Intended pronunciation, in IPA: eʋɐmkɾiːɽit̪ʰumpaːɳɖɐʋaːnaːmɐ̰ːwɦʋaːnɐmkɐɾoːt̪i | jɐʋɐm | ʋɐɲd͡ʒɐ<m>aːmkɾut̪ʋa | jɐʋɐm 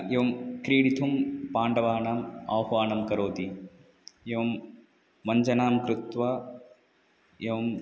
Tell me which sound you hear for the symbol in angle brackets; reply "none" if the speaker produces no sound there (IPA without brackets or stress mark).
n